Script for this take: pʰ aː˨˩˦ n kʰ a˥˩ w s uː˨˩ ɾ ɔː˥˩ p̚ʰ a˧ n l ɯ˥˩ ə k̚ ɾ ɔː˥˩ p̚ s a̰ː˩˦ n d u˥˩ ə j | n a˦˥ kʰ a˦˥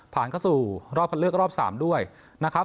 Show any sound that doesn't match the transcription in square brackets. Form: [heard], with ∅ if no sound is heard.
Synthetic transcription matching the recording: pʰ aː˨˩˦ n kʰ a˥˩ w s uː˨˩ ɾ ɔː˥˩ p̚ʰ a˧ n l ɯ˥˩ ə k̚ ɾ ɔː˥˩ p̚ s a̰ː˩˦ [m] d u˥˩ ə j | n a˦˥ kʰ a˦˥

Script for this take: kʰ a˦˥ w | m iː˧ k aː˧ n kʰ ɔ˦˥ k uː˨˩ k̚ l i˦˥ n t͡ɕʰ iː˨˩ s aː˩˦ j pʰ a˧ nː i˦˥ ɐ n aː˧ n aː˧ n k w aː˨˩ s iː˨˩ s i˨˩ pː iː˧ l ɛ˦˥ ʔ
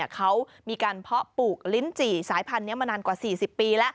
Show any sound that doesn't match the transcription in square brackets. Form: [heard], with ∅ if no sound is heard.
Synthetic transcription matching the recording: kʰ a˦˥ w | m iː˧ k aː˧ n [pʰ] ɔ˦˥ [p] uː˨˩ k̚ l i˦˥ n [t͡ɕ] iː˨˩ s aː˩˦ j pʰ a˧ nː i˦˥ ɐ [m] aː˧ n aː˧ n k w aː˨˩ s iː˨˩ s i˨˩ pː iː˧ l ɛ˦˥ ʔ

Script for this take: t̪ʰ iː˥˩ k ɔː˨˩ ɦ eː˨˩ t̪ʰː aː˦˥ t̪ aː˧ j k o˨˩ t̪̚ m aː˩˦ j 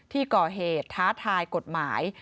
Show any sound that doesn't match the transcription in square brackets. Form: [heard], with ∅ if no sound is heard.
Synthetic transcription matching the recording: t̪ʰ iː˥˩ k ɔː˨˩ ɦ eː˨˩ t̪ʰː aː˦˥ [t̪ʰ] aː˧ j k o˨˩ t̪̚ m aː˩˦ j

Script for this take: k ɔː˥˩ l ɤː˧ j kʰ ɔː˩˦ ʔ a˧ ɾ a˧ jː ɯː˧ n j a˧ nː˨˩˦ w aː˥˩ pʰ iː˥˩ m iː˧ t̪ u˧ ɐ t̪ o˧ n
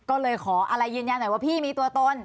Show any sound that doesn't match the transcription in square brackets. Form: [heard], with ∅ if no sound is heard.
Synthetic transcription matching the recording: k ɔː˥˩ l ɤː˧ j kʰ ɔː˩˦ ʔ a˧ ɾ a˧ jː ɯː˧ n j a˧ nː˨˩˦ w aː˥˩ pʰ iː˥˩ m iː˧ t̪ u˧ ɐ t̪ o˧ n

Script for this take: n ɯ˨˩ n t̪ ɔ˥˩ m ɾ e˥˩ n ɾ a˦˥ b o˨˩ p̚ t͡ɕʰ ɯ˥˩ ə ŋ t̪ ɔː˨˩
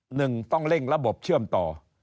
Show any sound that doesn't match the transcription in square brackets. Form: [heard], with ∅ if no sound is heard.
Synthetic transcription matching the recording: n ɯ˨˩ [ŋ] t̪ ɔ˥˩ [ŋ] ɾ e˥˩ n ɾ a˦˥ b o˨˩ p̚ t͡ɕʰ ɯ˥˩ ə [m] t̪ ɔː˨˩

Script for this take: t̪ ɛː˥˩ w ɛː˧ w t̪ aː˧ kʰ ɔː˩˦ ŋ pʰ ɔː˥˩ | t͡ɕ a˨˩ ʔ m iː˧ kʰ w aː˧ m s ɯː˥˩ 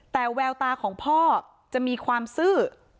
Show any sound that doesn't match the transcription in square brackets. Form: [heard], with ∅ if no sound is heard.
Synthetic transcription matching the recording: t̪ [ɛː˨˩] w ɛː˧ w t̪ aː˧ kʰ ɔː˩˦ ŋ pʰ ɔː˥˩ | t͡ɕ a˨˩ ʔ m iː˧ kʰ w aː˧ m s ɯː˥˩

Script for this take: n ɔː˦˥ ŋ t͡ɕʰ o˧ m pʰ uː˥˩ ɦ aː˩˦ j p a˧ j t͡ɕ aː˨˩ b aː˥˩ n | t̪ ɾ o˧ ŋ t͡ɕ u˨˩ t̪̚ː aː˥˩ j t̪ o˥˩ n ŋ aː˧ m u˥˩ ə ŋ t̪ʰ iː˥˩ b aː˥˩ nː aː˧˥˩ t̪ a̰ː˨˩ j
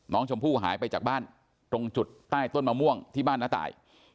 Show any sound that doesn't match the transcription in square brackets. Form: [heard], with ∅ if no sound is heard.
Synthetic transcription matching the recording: n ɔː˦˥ ŋ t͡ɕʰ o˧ m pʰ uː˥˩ ɦ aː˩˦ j p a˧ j t͡ɕ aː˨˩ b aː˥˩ n | t̪ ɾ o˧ ŋ t͡ɕ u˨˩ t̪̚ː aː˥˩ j t̪ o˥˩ n [m] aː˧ m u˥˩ ə ŋ t̪ʰ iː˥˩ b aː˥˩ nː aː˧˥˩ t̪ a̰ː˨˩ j

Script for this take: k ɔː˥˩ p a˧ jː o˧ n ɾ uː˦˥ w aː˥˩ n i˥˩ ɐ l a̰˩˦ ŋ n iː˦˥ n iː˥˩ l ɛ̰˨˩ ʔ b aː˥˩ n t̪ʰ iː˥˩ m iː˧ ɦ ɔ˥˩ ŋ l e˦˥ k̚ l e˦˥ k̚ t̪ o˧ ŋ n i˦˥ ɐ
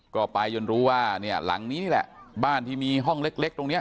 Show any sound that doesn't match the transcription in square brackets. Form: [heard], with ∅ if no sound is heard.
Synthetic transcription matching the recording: k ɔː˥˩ p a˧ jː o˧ n ɾ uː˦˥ w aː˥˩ n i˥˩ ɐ l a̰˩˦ ŋ n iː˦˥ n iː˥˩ l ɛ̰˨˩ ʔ b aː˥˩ n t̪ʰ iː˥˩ m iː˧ ɦ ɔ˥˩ ŋ l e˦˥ k̚ l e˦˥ k̚ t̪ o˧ ŋ n i˦˥ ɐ

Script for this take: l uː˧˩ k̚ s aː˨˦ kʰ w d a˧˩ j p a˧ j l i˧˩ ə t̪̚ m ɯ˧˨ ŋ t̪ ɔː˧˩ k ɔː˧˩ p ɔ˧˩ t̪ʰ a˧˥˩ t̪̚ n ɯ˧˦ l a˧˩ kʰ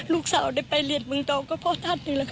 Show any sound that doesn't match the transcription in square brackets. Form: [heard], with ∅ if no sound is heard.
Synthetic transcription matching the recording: l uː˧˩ k̚ s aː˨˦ [∅] w d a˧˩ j p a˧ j l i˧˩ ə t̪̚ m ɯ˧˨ ŋ t̪ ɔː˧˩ k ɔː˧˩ [pʰ] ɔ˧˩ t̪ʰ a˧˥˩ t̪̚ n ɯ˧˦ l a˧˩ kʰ

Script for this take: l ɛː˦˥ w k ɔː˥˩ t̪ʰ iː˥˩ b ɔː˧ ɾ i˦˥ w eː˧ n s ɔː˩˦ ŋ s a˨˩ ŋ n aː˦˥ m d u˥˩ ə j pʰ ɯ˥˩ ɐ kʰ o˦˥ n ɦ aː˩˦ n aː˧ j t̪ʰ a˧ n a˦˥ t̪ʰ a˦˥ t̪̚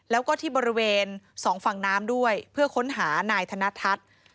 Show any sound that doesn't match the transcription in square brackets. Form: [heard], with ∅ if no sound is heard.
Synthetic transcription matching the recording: l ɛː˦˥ w k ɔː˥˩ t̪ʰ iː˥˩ b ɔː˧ ɾ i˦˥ w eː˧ n s ɔː˩˦ ŋ [f] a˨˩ ŋ n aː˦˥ m d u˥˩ ə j pʰ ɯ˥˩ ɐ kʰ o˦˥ n ɦ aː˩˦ n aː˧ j t̪ʰ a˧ n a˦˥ t̪ʰ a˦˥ t̪̚

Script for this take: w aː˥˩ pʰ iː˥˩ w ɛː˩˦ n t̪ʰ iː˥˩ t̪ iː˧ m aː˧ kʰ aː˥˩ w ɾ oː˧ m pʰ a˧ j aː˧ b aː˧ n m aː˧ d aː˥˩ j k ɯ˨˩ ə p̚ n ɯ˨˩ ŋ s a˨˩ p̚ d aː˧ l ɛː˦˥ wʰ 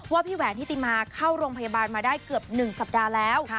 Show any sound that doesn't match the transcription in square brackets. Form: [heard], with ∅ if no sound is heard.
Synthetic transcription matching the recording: w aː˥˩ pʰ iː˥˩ w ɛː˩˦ n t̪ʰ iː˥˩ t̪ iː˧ m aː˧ kʰ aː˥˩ w ɾ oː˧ [ŋ] pʰ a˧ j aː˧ b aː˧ n m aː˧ d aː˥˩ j k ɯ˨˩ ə p̚ n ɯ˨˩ ŋ s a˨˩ p̚ d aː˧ l ɛː˦˥ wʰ

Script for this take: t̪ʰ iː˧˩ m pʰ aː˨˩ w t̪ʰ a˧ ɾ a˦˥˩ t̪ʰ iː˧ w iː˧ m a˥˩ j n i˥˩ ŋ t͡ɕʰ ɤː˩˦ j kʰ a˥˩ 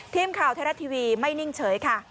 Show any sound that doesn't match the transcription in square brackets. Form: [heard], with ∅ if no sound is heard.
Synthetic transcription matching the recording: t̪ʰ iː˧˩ m [kʰ] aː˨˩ w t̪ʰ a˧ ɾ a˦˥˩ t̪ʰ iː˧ w iː˧ m a˥˩ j n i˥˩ ŋ t͡ɕʰ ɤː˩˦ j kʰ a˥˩

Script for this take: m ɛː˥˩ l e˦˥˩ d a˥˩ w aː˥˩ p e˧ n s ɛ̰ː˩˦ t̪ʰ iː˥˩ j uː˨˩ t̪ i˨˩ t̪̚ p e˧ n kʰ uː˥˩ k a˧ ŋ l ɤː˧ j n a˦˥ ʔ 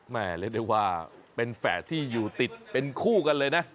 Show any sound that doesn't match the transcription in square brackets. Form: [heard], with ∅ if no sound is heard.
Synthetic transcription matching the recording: m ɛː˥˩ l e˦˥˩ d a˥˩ w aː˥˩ p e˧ n [f] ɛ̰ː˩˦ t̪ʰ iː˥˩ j uː˨˩ t̪ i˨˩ t̪̚ p e˧ n kʰ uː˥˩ k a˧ [n] l ɤː˧ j n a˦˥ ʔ

